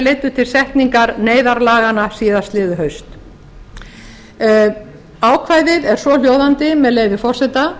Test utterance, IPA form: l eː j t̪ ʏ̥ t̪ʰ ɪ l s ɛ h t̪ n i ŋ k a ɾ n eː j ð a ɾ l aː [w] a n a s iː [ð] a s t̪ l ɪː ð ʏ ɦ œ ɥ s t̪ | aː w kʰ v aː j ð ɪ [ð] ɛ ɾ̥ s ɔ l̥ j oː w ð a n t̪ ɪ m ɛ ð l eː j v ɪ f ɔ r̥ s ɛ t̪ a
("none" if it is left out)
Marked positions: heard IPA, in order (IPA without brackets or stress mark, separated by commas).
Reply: ɣ, ð, ð